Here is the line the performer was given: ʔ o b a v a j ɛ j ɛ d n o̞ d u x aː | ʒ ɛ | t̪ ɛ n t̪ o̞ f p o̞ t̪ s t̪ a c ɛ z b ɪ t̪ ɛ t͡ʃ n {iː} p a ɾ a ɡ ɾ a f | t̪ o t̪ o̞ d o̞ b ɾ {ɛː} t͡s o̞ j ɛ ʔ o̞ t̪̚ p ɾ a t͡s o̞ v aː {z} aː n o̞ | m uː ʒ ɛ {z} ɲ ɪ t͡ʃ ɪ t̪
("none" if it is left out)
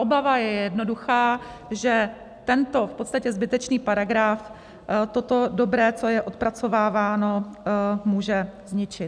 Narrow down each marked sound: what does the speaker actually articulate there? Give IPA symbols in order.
iː, ɛː, v, z

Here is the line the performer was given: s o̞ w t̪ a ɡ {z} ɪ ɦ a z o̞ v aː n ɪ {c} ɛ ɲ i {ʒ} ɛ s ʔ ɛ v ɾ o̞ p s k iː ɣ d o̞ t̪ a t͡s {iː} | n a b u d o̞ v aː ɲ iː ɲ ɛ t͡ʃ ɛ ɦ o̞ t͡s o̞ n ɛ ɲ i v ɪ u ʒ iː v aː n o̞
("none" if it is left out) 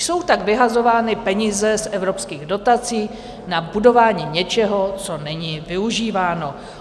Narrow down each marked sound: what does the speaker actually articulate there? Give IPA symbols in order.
v, p, z, iː

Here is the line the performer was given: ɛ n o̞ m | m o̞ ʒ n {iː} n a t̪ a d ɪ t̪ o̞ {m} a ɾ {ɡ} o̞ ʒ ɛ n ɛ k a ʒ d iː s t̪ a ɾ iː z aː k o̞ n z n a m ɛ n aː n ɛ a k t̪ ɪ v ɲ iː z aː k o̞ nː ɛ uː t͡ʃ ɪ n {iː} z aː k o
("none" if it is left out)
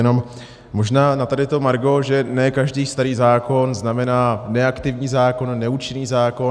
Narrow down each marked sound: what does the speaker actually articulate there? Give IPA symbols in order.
aː, m, ɡ, iː

